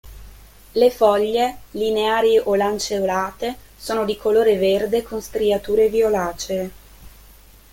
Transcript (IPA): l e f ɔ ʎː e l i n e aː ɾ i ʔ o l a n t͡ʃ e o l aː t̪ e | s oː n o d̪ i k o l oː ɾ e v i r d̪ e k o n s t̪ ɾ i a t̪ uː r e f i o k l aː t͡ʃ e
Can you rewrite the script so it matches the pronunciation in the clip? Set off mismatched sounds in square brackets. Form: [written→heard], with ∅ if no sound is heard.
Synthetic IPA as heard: l e f ɔ ʎː e l i n e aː ɾ i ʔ o l a n t͡ʃ e o l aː t̪ e | s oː n o d̪ i k o l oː ɾ e v [i→e] r d̪ e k o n s t̪ ɾ i a t̪ uː [r→ɾ] e [f→v] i o [k→∅] l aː t͡ʃ e